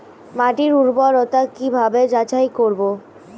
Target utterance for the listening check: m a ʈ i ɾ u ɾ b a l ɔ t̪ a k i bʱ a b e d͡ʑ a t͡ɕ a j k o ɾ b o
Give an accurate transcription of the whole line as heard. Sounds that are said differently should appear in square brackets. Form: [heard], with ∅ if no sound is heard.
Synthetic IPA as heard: m a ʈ i ɾ u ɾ b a [ɾ] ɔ t̪ a k i bʱ a b e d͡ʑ a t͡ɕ a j k o ɾ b o